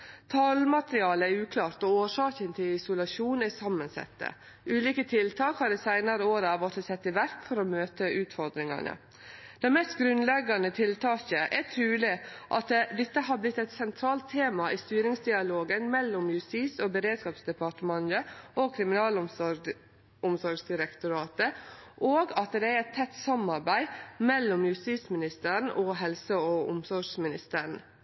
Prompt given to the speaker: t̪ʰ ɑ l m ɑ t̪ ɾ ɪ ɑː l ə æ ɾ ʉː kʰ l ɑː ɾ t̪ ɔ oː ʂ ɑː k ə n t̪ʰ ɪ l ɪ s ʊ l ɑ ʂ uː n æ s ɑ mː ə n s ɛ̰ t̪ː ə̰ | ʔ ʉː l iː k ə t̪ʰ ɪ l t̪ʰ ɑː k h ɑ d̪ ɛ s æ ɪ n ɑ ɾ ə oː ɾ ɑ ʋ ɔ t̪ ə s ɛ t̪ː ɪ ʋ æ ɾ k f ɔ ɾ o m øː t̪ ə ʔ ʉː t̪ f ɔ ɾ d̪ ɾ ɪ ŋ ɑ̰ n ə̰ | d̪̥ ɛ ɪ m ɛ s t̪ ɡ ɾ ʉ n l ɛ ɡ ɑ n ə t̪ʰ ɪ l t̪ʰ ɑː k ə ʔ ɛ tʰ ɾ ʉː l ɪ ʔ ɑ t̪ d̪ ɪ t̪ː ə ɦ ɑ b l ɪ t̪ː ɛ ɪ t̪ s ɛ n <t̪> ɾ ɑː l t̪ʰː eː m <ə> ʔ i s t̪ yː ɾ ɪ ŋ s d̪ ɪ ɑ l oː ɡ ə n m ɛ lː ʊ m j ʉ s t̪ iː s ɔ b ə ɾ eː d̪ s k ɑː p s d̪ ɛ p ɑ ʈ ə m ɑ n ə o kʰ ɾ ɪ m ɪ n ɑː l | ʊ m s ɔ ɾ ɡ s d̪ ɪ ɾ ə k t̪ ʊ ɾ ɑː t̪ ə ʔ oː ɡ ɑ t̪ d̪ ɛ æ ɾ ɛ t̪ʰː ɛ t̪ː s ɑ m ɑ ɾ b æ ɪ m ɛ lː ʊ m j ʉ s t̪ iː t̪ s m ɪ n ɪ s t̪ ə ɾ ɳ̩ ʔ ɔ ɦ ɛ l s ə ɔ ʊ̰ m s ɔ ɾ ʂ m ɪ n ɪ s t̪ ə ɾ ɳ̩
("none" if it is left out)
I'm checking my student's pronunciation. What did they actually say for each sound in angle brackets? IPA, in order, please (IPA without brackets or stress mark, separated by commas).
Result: t̪ʰ, ɑ